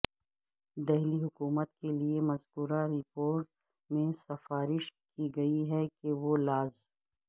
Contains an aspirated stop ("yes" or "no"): no